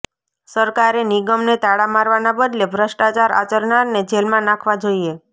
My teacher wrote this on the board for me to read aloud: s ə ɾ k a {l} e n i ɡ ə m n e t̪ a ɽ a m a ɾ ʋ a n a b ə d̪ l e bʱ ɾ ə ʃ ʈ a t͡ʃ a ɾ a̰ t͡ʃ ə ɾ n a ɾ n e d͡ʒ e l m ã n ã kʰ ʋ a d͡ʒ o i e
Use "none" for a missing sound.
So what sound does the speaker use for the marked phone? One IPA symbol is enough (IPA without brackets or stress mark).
ɾ